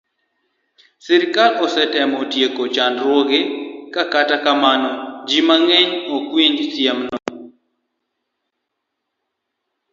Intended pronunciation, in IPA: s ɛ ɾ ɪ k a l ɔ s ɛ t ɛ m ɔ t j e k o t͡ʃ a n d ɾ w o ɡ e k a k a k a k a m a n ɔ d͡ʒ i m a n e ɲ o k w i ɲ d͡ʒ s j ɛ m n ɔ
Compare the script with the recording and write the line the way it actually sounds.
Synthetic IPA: s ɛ ɾ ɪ k a l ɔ s ɛ t ɛ m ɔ t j e k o t͡ʃ a n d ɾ w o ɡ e k a k a t a k a m a n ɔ d͡ʒ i m a ŋ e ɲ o k w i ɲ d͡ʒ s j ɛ m n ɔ